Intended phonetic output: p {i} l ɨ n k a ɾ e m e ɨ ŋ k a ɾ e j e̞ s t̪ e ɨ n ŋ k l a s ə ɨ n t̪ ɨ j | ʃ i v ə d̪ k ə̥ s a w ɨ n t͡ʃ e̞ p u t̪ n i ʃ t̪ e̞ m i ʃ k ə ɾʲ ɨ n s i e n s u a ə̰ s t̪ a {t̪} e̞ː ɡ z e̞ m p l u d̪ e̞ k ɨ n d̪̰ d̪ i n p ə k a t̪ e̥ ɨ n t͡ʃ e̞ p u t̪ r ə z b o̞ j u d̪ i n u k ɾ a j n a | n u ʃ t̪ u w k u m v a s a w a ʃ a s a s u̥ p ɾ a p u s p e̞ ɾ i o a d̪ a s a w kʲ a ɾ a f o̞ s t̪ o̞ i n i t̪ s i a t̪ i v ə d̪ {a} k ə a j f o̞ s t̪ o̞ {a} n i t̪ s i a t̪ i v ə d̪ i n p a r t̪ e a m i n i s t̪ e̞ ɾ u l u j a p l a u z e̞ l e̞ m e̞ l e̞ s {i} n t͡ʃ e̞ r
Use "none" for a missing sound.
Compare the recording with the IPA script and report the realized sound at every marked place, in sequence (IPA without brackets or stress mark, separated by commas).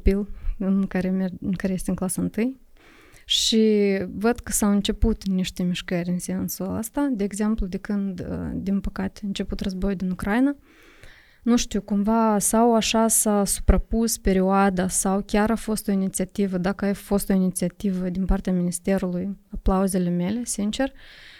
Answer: i, d̪, a, i, i